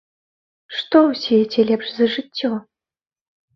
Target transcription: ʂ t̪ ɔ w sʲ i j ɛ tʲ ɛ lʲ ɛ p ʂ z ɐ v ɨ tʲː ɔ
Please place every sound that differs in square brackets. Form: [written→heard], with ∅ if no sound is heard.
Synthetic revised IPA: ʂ t̪ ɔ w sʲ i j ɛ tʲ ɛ lʲ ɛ p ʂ z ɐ [v→ʐ] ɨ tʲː ɔ